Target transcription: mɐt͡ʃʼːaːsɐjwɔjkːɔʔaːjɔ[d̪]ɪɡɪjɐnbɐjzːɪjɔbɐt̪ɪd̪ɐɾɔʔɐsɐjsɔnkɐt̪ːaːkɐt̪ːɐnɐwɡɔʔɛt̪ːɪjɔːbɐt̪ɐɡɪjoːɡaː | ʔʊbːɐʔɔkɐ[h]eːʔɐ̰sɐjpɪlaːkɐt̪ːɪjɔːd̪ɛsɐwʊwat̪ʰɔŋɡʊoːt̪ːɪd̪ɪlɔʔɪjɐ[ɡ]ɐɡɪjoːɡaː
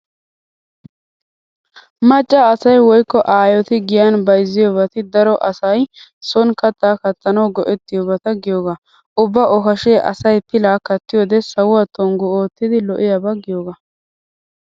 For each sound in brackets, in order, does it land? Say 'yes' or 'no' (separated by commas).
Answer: no, no, no